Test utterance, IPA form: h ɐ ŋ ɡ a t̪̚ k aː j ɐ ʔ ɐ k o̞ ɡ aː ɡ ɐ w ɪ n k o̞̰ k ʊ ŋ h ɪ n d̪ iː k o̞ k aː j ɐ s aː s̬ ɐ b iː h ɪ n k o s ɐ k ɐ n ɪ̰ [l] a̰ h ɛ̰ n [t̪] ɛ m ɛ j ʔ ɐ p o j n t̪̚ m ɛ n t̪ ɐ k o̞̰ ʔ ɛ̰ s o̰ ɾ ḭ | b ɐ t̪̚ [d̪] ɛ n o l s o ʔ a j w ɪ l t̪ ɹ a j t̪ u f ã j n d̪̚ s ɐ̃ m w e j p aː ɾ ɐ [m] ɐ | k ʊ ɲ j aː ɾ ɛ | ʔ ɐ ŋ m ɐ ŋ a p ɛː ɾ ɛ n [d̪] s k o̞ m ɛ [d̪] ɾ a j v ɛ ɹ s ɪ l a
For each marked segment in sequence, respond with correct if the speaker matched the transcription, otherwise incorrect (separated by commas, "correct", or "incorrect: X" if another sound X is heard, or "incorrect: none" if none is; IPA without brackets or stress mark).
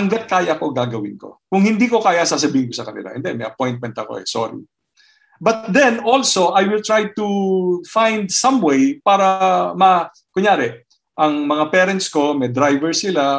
correct, incorrect: d̪, correct, correct, incorrect: t̪, correct